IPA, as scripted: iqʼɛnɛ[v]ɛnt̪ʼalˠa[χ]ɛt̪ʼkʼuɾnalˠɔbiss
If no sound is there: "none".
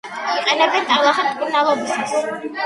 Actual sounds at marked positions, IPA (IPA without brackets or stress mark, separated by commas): b, χ